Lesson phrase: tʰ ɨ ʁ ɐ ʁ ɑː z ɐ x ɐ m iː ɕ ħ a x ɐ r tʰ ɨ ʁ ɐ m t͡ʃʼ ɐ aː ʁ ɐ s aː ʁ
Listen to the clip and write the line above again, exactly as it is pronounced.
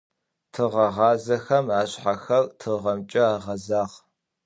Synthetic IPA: tʰ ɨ ʁ ɐ ʁ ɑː z ɐ x ɐ m aː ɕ ħ a x ɐ r tʰ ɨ ʁ ɐ m t͡ʃʼ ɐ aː ʁ ɐ z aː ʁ